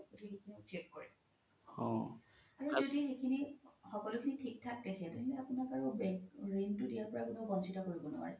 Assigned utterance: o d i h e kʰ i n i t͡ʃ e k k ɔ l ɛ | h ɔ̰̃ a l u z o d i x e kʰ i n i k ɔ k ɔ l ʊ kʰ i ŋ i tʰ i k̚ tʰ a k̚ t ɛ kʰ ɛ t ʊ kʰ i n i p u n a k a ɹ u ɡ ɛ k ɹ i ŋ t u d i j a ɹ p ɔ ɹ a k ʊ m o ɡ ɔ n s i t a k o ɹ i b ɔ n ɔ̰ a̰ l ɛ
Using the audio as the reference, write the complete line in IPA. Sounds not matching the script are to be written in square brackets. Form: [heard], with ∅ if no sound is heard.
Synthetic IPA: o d i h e kʰ i n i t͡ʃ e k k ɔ [ɹ] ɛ | h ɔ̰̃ a [ɹ] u z o d i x e kʰ i n i [x] ɔ k ɔ l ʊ kʰ i [n] i tʰ i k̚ tʰ a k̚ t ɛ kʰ ɛ t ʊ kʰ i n [a] p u n a k a ɹ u [b] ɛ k ɹ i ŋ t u d i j a ɹ p ɔ ɹ a k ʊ [n] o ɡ ɔ n s i t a k o ɹ i b ɔ n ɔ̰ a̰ [ɹ] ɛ